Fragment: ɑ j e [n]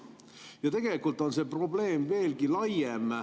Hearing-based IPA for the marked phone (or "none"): m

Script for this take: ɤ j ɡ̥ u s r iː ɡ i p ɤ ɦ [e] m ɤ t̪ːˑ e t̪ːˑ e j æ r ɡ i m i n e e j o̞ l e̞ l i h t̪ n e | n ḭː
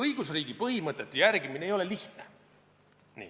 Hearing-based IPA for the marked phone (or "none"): i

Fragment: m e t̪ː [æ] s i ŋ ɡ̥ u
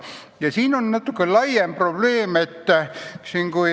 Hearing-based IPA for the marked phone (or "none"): æ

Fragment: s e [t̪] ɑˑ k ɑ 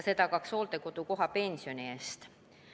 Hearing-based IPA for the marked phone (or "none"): t̪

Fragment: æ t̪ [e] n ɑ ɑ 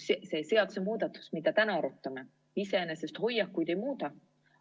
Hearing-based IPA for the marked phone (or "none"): æ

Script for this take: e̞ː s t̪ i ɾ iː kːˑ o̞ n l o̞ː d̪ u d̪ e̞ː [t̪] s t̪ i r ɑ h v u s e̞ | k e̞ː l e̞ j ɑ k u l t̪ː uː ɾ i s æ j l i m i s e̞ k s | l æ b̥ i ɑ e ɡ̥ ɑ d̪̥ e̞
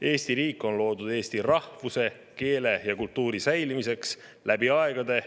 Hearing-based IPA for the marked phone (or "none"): none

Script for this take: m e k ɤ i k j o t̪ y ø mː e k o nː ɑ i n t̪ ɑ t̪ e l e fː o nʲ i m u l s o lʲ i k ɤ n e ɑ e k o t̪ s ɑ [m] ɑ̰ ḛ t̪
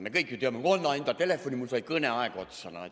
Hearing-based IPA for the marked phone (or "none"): n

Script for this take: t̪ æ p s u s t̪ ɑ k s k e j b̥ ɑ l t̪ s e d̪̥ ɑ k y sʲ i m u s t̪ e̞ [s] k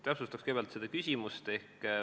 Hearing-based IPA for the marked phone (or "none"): h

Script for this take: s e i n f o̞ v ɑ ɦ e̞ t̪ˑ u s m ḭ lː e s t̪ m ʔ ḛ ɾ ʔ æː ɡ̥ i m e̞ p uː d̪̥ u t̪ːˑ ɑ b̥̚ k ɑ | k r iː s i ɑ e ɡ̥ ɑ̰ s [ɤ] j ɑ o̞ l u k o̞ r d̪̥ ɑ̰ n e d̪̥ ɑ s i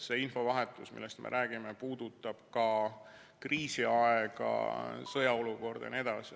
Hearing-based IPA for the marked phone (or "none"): ɤ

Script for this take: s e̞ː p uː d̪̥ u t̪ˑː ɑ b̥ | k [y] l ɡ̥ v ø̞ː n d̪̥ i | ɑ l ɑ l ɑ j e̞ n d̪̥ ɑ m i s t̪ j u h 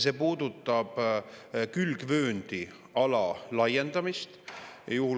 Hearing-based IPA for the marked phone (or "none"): y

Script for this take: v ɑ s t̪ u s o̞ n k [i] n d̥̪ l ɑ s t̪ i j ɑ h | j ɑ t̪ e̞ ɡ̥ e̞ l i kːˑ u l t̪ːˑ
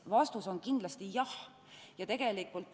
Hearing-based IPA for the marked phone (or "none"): i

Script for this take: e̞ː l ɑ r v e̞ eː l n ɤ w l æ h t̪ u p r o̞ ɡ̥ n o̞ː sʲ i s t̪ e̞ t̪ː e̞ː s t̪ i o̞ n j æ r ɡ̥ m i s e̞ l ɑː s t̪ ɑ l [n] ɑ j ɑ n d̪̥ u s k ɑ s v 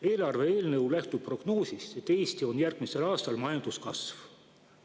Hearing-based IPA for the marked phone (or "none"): m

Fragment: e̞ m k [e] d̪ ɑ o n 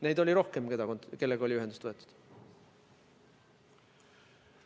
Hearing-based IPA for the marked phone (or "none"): e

